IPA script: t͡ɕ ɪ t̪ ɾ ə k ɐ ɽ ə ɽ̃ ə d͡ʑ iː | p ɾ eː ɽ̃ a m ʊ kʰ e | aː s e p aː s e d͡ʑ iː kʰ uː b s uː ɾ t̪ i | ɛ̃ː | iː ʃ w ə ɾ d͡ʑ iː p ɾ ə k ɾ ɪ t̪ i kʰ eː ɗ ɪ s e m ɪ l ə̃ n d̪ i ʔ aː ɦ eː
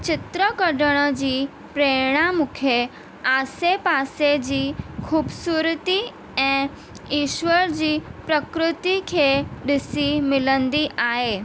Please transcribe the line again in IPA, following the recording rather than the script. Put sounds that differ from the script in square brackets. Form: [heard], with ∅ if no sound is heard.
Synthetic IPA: t͡ɕ ɪ t̪ ɾ ə k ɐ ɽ ə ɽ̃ ə d͡ʑ iː | p ɾ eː ɽ̃ a m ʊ kʰ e | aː s e p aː s e d͡ʑ iː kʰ uː b s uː ɾ t̪ i | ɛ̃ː | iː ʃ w ə ɾ d͡ʑ iː p ɾ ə k ɾ ɪ t̪ i kʰ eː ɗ ɪ s [i] m ɪ l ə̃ n d̪ i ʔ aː ɦ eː